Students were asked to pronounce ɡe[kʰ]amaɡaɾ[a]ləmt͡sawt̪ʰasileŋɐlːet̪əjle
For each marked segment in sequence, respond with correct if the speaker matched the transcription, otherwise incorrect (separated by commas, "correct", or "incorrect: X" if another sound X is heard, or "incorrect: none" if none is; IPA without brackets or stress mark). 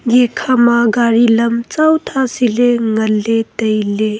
correct, incorrect: i